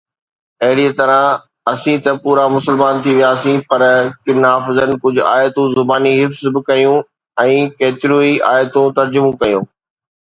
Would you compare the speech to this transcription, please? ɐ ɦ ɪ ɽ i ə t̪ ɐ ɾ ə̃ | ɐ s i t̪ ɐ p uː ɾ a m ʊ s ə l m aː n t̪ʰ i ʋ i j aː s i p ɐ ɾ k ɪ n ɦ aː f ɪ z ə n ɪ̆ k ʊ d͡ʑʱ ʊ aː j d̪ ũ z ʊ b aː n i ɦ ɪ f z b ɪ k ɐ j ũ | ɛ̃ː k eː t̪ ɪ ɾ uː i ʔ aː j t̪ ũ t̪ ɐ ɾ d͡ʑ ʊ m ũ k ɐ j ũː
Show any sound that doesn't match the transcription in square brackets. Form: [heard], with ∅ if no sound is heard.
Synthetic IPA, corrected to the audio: ɐ ɦ ɪ ɽ i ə t̪ ɐ ɾ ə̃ | ɐ s [ĩ] t̪ ɐ p uː ɾ a m ʊ s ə l m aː n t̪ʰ i ʋ i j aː s [ĩ] p ɐ ɾ k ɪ n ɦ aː f ɪ z ə n ɪ̆ k ʊ d͡ʑʱ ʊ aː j [t̪] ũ z ʊ b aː n i ɦ ɪ f z b ɪ k ɐ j ũ | ɛ̃ː k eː t̪ ɪ ɾ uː i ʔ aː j t̪ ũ t̪ ɐ ɾ d͡ʑ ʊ m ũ k ɐ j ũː